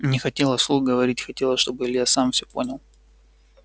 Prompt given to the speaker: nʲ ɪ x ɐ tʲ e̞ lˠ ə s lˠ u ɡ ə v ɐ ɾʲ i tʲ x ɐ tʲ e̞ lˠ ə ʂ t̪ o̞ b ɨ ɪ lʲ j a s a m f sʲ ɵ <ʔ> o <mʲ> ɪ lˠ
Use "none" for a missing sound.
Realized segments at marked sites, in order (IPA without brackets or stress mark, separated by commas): p, nʲ